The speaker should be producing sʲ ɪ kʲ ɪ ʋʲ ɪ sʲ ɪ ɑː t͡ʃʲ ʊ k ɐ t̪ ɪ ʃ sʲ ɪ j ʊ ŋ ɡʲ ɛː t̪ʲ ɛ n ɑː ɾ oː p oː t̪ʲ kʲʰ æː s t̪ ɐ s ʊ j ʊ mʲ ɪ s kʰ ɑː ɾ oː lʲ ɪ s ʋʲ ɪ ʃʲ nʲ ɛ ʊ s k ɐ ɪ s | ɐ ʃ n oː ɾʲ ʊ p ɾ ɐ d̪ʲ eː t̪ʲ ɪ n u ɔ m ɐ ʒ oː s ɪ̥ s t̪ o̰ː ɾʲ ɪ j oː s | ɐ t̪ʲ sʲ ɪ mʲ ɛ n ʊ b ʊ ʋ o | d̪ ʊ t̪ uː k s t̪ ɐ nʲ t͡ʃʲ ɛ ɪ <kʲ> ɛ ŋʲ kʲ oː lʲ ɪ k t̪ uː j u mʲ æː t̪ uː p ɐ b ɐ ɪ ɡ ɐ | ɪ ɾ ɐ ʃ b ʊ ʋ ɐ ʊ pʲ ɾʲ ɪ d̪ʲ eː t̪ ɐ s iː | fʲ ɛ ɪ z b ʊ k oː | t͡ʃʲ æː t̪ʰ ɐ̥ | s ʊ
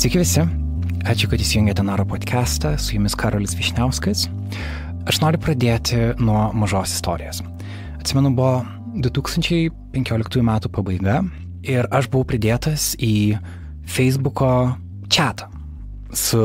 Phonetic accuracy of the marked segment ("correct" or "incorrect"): incorrect